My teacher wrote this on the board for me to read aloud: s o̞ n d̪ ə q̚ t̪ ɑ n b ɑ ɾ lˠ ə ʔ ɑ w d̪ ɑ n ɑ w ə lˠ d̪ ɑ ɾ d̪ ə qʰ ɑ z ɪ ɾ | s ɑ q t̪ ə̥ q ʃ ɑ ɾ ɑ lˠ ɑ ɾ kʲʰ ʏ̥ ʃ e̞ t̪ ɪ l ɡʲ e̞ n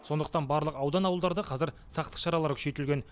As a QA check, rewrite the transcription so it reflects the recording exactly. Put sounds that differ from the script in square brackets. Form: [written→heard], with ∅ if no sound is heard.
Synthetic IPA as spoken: s o̞ n d̪ ə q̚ t̪ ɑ n b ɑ ɾ lˠ ə [ʔ→q] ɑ w d̪ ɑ n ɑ w ə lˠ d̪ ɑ ɾ d̪ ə qʰ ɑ z ɪ ɾ | s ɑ q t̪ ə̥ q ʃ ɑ ɾ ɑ lˠ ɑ ɾ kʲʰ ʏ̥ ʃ e̞ t̪ ɪ l ɡʲ e̞ n

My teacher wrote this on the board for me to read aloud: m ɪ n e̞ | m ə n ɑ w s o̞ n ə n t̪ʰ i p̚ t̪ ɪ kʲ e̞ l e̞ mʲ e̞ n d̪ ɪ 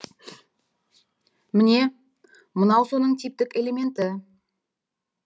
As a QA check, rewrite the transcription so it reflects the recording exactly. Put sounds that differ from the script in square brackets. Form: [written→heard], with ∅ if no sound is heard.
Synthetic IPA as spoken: m ɪ n e̞ | m ə n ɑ w s o̞ n ə [n→ɴ] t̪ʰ i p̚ t̪ ɪ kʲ e̞ l e̞ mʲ e̞ n [d̪→t̪] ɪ

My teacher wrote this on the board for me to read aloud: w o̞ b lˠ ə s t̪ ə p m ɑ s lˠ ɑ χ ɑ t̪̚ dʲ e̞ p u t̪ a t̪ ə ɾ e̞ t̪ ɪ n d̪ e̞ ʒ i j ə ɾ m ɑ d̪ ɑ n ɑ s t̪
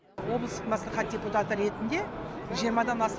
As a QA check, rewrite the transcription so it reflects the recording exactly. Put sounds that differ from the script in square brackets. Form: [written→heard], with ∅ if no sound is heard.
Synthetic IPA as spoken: w o̞ b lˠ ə s t̪ ə [p→q] m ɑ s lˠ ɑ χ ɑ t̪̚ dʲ e̞ p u t̪ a t̪ ə ɾ e̞ t̪ ɪ n d̪ e̞ ʒ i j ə ɾ m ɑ d̪ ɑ n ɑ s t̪

